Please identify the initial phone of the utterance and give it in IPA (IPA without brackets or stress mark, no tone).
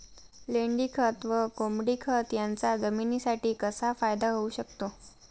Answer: l